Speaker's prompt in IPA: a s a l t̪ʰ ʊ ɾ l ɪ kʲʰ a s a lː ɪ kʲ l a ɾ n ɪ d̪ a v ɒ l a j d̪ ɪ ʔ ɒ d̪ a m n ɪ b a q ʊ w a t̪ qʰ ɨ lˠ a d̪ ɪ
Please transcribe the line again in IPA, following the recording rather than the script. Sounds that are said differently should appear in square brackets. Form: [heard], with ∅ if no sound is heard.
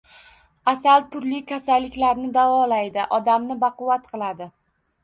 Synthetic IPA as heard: a s a l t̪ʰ ʊ ɾ l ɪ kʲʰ a s a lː ɪ kʲ l a ɾ n ɪ d̪ a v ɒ l a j d̪ ɪ ʔ ɒ d̪ a m n ɪ b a q ʊ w a t̪ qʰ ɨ lˠ a d̪ ɪ